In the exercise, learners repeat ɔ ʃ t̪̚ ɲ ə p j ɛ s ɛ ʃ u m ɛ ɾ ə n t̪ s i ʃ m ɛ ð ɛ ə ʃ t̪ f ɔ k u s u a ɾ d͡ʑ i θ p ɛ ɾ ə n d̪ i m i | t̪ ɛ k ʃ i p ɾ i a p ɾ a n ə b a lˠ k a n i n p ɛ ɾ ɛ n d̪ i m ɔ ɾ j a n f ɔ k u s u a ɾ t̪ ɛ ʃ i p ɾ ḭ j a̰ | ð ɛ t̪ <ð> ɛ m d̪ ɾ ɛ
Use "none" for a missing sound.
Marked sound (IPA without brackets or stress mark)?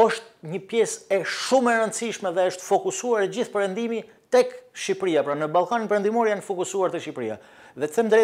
θ